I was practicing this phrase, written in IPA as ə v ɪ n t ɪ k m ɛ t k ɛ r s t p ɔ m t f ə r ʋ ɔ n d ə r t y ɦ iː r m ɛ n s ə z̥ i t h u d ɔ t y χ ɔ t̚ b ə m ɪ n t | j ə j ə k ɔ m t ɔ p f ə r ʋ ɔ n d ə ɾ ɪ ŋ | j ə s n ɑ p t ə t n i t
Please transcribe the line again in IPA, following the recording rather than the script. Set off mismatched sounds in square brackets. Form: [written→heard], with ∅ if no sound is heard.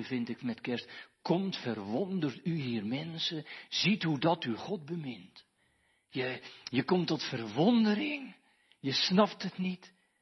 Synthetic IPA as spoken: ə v ɪ n t ɪ k m ɛ t k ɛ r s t [p→k] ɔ m t f ə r ʋ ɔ n d ə r t y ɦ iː r m ɛ n s ə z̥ i t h u d ɔ t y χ ɔ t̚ b ə m ɪ n t | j ə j ə k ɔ m t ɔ [p→t] f ə r ʋ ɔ n d ə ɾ ɪ ŋ | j ə s n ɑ p t ə t n i t